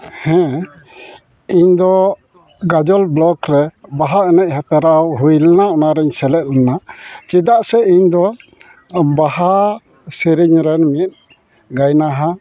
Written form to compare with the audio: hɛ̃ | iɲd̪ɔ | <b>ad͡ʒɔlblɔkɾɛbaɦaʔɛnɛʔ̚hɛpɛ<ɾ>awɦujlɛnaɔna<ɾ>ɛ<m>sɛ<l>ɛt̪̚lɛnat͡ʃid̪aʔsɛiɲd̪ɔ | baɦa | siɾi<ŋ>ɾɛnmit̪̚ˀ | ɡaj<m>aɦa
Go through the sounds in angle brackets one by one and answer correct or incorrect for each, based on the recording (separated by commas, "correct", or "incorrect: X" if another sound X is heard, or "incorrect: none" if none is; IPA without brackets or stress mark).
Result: incorrect: ɡ, correct, correct, incorrect: ɲ, correct, incorrect: ɲ, incorrect: n